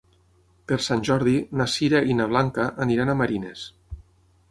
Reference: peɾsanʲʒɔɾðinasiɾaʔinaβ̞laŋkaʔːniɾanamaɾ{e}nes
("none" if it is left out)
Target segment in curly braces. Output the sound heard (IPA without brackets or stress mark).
i